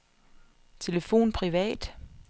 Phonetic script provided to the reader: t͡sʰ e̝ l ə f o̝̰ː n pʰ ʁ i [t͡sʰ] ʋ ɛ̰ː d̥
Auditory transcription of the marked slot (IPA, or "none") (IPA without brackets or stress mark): none